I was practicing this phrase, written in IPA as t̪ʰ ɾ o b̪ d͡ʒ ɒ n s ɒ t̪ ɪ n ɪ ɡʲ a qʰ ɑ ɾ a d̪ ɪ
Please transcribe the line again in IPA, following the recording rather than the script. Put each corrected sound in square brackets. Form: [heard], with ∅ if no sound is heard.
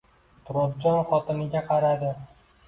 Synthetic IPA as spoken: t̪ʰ ɾ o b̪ d͡ʒ ɒ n [χ] ɒ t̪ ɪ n ɪ ɡʲ a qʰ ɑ ɾ a d̪ ɪ